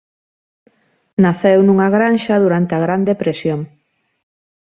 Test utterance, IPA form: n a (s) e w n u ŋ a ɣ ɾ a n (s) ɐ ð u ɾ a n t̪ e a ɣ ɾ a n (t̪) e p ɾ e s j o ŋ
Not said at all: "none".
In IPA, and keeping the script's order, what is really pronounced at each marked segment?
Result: θ, ʃ, d̪

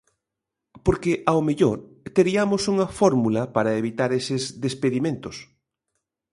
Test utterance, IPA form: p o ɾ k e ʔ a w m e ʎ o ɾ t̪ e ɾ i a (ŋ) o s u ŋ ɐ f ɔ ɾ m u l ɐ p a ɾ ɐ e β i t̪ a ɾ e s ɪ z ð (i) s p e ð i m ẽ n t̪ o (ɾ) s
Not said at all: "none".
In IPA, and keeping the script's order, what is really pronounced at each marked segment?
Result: m, e, none

